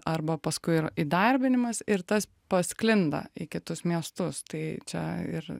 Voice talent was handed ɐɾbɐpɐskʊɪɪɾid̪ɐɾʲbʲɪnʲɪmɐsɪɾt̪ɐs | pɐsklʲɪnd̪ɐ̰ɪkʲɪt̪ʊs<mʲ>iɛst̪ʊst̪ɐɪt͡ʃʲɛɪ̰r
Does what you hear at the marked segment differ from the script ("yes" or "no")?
no